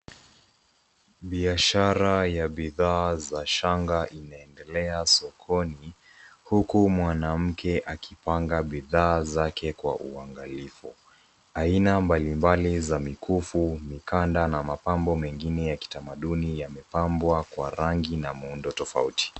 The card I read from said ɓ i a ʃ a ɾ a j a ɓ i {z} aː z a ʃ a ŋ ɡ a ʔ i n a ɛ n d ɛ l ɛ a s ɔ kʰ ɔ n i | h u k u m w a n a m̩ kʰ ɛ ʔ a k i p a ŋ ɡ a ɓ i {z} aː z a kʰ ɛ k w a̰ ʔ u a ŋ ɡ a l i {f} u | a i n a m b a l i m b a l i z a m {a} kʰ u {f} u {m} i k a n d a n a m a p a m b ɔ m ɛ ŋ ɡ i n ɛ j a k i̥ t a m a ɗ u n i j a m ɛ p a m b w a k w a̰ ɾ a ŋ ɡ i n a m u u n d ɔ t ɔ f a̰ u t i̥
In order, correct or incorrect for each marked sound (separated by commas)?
incorrect, incorrect, correct, incorrect, correct, correct